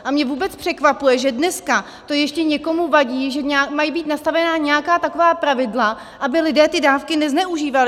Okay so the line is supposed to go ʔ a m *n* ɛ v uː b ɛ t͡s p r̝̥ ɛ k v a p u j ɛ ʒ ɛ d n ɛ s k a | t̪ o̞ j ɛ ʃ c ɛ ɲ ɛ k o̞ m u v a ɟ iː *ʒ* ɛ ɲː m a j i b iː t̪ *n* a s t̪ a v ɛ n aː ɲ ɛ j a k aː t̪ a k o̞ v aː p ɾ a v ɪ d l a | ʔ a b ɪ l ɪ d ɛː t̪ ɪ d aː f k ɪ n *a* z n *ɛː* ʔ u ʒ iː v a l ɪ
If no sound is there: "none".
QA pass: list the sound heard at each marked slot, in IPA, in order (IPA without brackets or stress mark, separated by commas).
ɲ, ʒ, n, ɛ, ɛ